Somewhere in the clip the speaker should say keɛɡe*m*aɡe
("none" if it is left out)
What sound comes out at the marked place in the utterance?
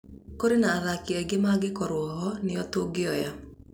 m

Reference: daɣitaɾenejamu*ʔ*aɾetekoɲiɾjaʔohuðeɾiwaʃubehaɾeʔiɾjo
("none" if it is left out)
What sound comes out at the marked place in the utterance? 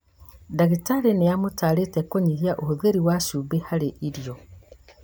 t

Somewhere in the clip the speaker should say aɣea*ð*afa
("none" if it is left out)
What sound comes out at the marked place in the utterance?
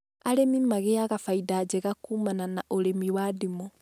ɣ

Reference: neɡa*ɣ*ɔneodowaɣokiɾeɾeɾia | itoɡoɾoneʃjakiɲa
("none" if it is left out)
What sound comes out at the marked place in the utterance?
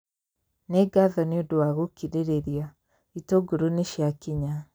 ð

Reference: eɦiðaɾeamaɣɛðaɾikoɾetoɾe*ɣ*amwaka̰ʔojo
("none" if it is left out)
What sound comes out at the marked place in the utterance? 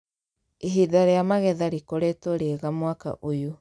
ɣ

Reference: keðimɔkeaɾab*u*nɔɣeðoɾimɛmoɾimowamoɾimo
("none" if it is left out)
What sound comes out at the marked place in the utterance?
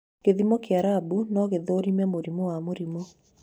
u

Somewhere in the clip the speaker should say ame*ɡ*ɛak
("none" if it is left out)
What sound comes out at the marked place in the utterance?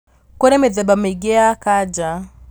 ɡ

